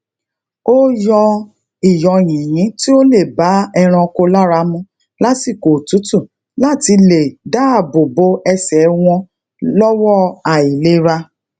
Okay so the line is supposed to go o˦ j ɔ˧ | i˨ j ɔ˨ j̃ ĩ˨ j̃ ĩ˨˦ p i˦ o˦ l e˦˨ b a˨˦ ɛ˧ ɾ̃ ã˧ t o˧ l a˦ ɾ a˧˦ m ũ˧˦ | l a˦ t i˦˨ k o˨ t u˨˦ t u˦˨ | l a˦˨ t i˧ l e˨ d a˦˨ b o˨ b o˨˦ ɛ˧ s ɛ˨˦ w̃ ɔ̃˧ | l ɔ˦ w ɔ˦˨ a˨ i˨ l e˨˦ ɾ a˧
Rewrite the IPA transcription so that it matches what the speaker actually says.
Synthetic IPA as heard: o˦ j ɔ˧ | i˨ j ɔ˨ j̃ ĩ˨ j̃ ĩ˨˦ t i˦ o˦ l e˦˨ b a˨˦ ɛ˧ ɾ̃ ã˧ k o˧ l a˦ ɾ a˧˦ m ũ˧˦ | l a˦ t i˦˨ k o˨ t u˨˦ t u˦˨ | l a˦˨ t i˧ l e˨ d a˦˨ b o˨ b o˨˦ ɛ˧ s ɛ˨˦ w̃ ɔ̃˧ | l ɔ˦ w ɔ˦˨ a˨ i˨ l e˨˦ ɾ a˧